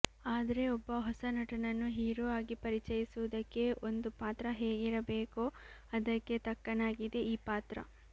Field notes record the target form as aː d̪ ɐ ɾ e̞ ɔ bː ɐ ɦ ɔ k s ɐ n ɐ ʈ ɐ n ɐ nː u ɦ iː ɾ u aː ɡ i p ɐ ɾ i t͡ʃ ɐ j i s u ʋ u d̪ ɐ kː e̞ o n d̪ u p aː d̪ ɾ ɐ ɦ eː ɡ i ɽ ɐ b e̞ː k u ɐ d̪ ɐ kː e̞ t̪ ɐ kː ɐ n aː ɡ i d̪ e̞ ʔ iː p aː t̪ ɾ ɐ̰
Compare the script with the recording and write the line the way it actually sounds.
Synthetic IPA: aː d̪ ɐ ɾ e̞ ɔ bː ɐ ɦ ɔ s ɐ n ɐ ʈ ɐ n ɐ nː u ɦ iː ɾ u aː ɡ i p ɐ ɾ i t͡ʃ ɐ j i s u ʋ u d̪ ɐ kː e̞ o n d̪ u p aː t̪ ɾ ɐ ɦ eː ɡ i ɾ ɐ b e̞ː k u ɐ d̪ ɐ kː e̞ t̪ ɐ kː ɐ n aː ɡ i d̪ e̞ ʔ iː p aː t̪ ɾ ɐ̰